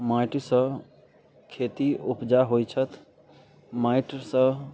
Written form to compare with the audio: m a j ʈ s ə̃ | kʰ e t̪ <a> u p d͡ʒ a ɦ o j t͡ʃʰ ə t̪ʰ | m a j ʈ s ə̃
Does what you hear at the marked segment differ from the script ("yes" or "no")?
yes